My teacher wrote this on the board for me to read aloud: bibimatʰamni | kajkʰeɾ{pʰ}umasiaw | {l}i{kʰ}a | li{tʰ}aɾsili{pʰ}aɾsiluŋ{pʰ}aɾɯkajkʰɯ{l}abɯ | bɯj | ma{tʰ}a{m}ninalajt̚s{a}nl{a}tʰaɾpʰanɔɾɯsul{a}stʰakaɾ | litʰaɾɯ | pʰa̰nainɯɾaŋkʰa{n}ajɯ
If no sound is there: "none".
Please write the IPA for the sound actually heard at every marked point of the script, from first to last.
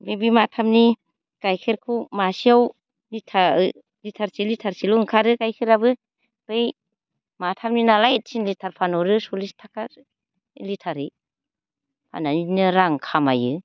kʰ, l, tʰ, tʰ, tʰ, kʰ, ɾ, tʰ, m, i, i, i, m

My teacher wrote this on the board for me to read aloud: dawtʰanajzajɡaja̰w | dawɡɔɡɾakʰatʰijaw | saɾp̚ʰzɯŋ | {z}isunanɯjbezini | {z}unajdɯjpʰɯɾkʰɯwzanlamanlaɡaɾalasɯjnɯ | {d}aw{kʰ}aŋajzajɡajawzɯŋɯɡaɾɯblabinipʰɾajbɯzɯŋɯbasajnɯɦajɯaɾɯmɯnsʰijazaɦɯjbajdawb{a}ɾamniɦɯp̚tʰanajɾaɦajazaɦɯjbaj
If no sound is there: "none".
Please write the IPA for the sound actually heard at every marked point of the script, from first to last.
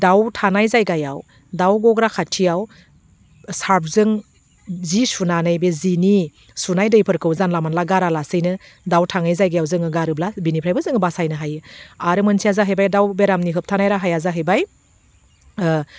z, s, d, tʰ, e

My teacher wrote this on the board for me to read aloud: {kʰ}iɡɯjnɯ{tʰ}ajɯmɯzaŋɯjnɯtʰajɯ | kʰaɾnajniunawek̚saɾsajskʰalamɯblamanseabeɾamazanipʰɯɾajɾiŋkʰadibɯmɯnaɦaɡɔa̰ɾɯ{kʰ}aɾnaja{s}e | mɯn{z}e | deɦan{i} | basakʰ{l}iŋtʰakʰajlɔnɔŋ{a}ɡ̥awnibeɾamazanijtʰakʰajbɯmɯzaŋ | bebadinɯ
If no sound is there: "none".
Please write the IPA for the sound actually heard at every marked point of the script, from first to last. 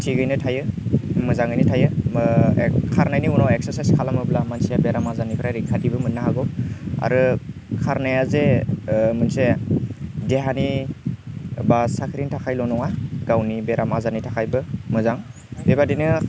tʰ, tʰ, kʰ, z, s, i, ɾ, a

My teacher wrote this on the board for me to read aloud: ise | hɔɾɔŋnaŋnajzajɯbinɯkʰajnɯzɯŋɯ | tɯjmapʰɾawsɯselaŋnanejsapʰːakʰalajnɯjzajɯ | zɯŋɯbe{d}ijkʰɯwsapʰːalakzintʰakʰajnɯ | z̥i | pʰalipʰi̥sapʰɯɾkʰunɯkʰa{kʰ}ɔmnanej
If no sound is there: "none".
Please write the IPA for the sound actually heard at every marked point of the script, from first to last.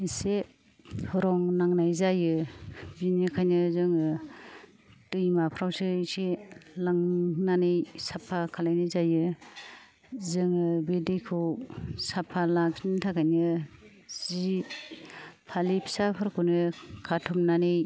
d, tʰ

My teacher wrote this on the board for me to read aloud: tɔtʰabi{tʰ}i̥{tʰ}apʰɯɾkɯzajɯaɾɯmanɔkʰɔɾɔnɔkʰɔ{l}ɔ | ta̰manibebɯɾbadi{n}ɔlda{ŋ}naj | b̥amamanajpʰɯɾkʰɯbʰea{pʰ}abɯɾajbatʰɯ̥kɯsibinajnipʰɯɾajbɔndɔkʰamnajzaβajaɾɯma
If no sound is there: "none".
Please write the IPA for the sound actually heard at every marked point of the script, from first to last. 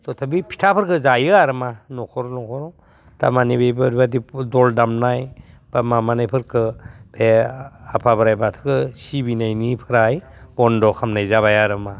pʰ, tʰ, ɾ, d, m, pʰ

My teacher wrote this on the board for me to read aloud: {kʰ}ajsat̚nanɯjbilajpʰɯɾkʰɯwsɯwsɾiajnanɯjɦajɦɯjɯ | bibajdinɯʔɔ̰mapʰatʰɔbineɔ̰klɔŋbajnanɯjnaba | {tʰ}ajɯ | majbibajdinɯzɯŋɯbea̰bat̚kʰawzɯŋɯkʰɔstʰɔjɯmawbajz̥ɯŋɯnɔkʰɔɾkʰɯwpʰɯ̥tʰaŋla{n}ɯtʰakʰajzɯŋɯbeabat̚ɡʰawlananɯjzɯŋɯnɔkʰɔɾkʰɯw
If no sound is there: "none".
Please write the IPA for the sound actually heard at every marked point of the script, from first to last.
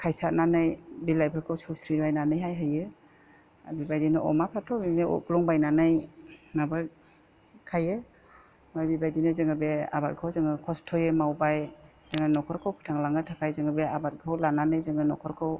kʰ, kʰ, ŋ

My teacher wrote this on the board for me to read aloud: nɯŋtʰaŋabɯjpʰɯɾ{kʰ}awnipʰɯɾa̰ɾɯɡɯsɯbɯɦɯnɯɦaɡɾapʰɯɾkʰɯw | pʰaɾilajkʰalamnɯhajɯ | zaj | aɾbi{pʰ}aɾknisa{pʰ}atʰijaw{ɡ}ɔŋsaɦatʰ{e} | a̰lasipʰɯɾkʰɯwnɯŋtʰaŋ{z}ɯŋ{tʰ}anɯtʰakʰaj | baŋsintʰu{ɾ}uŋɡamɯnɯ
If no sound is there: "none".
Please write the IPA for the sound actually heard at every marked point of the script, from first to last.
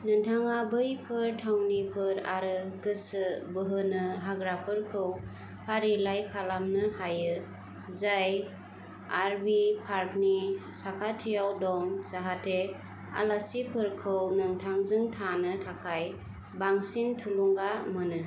tʰ, pʰ, kʰ, d, e, z, tʰ, l

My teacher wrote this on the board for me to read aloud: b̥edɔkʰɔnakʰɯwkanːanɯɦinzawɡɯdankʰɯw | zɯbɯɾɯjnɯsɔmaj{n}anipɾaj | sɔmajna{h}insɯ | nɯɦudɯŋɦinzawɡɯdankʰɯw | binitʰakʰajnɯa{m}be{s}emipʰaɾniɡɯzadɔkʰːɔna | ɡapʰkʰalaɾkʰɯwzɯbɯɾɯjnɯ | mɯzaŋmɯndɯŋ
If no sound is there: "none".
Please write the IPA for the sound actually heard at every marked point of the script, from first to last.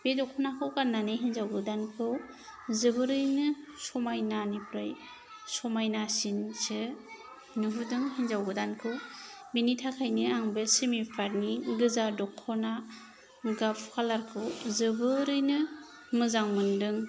n, s, ŋ, s

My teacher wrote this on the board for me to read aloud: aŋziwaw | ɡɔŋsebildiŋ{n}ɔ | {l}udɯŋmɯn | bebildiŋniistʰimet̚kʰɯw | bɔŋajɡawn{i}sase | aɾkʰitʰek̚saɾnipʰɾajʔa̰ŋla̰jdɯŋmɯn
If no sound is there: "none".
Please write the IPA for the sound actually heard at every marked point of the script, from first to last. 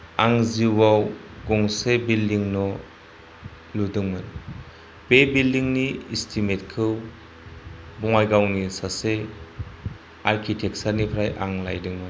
n, l, i

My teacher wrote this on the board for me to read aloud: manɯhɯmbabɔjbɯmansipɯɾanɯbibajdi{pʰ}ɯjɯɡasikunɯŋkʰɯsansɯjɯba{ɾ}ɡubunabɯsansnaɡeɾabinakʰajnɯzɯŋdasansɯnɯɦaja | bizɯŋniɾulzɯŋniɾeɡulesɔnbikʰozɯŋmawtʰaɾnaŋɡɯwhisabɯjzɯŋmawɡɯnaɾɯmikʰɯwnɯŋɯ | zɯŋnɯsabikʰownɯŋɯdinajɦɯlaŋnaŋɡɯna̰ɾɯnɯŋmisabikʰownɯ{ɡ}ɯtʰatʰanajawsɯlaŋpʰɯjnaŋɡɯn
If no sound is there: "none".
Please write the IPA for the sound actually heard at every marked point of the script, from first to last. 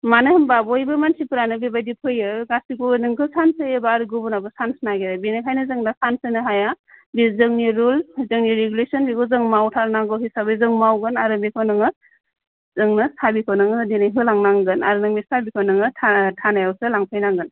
pʰ, ɾ, ŋ

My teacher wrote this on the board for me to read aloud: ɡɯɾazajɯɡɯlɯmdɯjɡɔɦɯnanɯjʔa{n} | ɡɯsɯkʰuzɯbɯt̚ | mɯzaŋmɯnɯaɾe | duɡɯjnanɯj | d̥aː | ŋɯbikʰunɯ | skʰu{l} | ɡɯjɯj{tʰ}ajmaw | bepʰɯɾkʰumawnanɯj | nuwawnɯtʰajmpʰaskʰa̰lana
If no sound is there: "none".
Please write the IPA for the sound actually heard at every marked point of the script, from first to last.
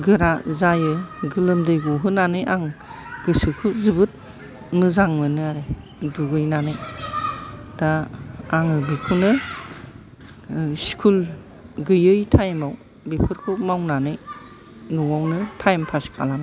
ŋ, l, tʰ

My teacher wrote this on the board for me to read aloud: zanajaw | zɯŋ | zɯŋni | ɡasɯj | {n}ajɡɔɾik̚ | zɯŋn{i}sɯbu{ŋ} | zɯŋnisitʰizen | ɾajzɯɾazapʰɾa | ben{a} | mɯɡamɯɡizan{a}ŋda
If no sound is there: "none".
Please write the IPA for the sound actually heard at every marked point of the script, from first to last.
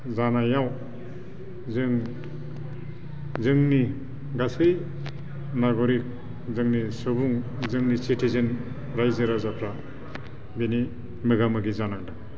n, i, ŋ, i, a

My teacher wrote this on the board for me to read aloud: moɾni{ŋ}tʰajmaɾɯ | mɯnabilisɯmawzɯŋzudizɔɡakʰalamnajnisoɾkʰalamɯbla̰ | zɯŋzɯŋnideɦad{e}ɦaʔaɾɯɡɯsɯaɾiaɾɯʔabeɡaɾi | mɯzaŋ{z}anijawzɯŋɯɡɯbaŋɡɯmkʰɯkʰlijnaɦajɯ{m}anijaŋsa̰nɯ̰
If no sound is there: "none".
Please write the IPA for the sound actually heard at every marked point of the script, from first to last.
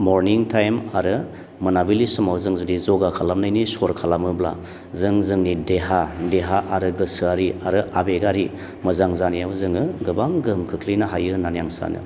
ŋ, e, z, n

